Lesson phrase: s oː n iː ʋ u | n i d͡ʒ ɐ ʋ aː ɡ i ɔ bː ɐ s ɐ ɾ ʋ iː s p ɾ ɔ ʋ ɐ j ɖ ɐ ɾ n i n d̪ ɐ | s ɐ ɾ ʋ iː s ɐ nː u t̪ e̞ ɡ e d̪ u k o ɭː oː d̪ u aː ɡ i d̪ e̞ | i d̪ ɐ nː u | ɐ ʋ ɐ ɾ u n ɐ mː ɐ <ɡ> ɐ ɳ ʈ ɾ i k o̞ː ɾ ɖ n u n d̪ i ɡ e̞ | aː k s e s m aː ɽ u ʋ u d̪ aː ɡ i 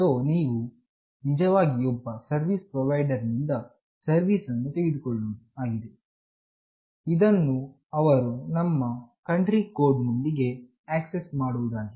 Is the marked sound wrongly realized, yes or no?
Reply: yes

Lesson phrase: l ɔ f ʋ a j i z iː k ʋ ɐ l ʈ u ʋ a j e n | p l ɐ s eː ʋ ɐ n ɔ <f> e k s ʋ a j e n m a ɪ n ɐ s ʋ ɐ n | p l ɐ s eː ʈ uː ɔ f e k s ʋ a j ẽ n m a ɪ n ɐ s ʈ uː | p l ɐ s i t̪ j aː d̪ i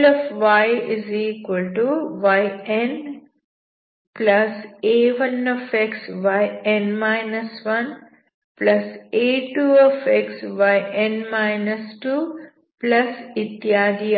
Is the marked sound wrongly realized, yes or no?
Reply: no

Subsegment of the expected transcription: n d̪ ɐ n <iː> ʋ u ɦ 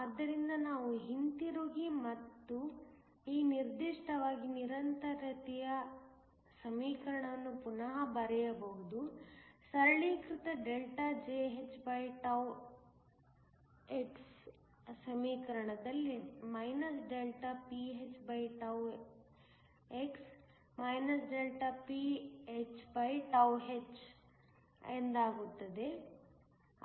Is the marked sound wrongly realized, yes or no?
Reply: yes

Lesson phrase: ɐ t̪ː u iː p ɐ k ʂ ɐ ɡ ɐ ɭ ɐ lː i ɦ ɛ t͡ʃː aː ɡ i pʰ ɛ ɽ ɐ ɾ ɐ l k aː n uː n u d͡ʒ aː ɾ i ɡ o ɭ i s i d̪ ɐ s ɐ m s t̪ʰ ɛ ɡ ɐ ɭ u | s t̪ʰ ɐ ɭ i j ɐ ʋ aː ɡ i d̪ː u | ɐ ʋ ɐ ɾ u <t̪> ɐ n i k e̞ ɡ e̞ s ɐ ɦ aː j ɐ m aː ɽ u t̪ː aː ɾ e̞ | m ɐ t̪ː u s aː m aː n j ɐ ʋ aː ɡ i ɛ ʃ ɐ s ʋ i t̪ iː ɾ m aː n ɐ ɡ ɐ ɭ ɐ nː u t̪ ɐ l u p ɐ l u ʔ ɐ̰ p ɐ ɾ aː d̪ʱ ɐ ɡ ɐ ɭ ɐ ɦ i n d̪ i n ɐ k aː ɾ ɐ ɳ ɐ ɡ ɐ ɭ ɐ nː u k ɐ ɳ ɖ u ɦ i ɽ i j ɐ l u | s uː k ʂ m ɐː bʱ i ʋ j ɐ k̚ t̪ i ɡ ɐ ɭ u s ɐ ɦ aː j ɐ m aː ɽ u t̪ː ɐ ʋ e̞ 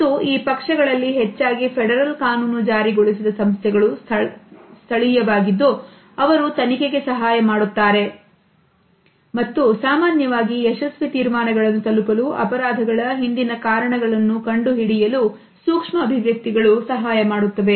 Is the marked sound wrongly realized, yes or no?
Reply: no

